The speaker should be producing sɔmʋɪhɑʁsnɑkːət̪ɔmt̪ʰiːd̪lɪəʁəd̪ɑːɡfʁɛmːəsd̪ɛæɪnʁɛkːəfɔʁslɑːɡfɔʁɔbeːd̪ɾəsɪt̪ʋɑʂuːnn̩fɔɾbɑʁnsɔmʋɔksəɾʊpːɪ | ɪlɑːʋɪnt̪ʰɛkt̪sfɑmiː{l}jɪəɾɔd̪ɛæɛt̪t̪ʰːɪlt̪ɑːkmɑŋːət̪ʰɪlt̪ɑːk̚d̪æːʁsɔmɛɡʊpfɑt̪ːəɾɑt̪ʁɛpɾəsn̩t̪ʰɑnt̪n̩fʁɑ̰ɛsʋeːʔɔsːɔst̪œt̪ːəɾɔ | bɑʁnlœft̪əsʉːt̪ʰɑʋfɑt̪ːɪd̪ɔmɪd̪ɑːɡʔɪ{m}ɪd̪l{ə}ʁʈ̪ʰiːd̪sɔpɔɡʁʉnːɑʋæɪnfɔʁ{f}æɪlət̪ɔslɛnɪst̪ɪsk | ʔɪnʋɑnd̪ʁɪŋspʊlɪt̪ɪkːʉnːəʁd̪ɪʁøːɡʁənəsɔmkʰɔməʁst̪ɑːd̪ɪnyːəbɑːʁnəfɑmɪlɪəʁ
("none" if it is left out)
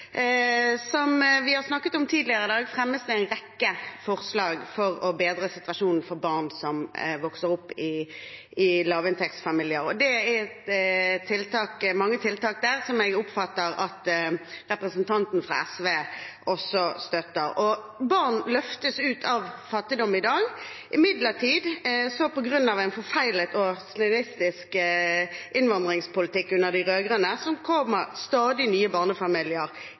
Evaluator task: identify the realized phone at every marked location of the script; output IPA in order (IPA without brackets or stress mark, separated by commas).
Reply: l, m, ə, f